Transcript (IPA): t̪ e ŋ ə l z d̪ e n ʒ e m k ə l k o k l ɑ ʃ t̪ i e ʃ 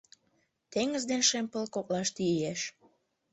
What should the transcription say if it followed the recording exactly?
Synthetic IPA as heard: t̪ e ŋ ə z d̪ e n ʃ e m p ə l k o k l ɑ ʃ t̪ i e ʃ

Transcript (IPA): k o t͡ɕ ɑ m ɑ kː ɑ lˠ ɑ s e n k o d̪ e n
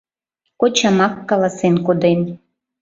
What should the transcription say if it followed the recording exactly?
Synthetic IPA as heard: k o t͡ɕ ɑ m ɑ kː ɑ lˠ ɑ s e n k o d̪ e n

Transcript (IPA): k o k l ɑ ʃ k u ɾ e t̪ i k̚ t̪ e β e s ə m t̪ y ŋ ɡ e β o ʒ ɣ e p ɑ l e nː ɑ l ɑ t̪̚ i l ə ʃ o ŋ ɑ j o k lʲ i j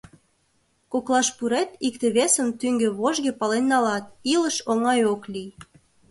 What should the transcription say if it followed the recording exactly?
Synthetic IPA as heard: k o k l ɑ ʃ p u ɾ e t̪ i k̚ t̪ e β e s ə m t̪ y ŋ ɡ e β o ʒ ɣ e p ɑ l e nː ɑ l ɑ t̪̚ i l ə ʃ o ŋ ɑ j o k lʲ i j

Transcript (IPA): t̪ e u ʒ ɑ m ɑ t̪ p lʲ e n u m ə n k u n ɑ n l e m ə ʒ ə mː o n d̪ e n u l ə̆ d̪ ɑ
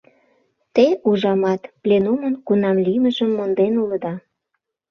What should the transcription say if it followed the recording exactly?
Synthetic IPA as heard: t̪ e u ʒ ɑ m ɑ t̪ p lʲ e n u m ə n k u n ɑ m l i m ə ʒ ə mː o n d̪ e n u l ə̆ d̪ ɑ

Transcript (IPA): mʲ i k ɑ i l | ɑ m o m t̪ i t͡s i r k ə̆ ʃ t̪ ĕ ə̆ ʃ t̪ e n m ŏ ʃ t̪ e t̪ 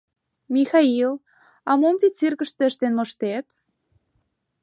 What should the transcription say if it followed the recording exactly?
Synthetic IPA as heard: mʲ i x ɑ i l | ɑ m o m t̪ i t͡s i r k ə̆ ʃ t̪ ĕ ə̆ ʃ t̪ e n m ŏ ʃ t̪ e t̪

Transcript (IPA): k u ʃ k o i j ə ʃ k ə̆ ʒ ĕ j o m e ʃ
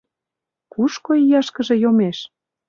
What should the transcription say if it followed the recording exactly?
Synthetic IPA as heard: k u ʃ k o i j ɑ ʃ k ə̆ ʒ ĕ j o m e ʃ

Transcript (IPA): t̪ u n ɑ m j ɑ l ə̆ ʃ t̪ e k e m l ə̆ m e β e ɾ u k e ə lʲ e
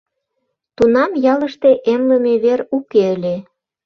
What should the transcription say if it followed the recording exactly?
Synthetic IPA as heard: t̪ u n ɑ m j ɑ l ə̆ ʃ t̪ e ʔ e m l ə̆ m e β e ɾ u k e ə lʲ e

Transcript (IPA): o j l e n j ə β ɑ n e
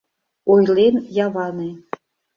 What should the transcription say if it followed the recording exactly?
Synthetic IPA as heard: o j l e n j ɑ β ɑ n e

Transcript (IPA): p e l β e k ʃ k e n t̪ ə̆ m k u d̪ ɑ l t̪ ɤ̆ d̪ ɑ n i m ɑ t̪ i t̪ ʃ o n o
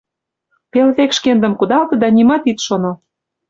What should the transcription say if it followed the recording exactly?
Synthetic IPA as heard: p e l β e k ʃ k e n d̪ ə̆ m k u d̪ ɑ l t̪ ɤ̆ d̪ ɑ n i m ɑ t̪ i t̪ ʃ o n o

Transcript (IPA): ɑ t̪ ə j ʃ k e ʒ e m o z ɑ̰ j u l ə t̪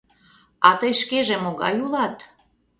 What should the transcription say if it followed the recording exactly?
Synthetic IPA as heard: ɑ t̪ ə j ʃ k e ʒ e m o ɣ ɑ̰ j u l ɑ t̪

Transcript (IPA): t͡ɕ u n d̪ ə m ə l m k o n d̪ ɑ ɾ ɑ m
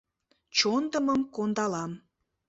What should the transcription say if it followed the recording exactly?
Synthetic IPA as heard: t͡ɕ o n d̪ ə m ə m k o n d̪ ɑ l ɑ m

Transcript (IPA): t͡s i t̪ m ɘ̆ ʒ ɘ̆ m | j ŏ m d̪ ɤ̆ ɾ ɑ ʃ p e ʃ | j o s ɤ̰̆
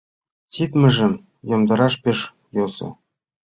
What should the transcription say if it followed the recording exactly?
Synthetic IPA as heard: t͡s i t̪ m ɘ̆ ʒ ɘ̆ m | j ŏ m d̪ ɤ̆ ɾ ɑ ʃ p e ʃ | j o s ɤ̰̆

